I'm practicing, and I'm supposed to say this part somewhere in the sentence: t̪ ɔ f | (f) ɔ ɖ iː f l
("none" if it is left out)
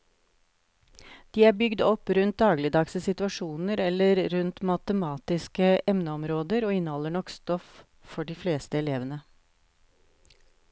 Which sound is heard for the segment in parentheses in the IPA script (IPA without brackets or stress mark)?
f